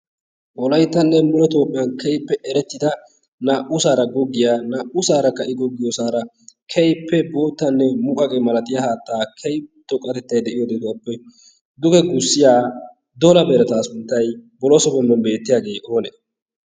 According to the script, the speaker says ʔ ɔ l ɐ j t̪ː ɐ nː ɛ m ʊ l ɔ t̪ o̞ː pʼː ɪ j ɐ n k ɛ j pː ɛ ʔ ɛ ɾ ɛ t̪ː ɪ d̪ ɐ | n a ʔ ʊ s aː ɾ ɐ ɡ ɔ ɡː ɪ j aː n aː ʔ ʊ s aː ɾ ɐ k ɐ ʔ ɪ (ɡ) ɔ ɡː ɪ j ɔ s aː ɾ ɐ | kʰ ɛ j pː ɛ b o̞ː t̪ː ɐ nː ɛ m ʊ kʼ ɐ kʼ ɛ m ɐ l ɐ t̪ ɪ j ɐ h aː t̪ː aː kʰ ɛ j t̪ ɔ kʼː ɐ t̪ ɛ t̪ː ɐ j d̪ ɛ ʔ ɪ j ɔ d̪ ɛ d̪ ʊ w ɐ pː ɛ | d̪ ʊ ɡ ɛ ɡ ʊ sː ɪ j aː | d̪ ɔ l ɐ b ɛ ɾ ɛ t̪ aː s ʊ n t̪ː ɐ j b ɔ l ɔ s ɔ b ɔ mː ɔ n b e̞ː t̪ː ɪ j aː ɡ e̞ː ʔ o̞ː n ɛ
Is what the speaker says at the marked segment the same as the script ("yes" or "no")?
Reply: yes